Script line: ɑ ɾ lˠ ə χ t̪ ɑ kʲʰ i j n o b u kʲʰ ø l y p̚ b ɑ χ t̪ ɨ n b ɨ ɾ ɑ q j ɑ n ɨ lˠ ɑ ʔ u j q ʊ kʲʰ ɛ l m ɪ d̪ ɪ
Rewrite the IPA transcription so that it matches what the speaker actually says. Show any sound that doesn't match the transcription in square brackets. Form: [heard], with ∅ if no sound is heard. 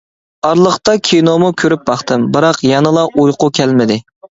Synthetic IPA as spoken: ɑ ɾ lˠ ə χ t̪ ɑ kʲʰ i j n o [m] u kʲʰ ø [ɾ] y p̚ b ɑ χ t̪ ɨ [m] b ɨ ɾ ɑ q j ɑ n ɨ lˠ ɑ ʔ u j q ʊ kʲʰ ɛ l m ɪ d̪ ɪ